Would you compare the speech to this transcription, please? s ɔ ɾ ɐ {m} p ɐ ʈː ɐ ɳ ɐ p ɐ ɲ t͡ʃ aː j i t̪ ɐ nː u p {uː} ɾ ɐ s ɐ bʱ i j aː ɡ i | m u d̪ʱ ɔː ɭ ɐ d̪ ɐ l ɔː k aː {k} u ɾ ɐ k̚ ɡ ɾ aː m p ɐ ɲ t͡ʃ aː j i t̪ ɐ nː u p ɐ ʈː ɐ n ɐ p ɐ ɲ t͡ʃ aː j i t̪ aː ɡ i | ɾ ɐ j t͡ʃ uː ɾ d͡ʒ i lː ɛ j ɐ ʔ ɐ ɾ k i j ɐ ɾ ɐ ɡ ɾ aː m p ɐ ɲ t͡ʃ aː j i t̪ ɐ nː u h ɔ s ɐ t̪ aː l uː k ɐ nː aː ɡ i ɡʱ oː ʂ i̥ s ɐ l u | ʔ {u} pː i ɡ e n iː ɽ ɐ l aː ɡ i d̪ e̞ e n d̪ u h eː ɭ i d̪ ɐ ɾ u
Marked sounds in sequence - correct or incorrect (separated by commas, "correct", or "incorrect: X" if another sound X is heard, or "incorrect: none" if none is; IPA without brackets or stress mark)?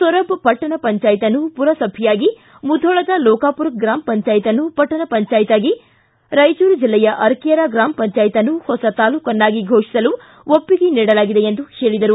incorrect: b, incorrect: u, incorrect: p, incorrect: o